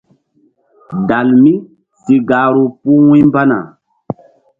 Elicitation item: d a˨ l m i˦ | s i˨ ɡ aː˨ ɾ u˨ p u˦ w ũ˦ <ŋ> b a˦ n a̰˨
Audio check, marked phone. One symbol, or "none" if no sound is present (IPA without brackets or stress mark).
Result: m